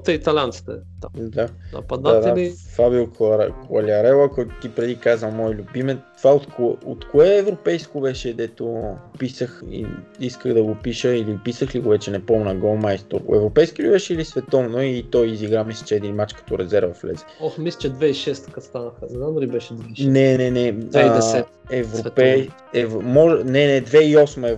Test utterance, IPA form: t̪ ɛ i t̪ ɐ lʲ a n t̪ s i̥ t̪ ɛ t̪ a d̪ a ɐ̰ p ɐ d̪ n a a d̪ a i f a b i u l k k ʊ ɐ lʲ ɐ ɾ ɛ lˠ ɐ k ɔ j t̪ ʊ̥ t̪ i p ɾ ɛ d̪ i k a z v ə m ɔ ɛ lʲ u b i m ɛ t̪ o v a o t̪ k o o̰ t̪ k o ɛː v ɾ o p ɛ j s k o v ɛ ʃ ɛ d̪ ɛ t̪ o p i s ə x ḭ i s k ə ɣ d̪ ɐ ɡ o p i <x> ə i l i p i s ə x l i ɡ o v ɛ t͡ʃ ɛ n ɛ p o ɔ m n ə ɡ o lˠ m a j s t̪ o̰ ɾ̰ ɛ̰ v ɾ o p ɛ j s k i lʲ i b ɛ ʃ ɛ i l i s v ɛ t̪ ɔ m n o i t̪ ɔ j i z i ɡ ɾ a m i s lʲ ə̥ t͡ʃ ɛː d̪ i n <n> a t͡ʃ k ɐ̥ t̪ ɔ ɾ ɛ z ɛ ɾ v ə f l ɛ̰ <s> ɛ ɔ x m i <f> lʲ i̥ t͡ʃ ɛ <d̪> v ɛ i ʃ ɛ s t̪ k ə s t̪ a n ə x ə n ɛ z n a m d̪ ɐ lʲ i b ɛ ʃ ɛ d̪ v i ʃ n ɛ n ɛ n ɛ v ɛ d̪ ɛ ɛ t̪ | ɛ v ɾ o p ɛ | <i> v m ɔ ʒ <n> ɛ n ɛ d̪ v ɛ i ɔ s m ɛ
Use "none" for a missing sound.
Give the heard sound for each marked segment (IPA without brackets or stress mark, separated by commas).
ʃ, m, z, s, d̪, ɛ, n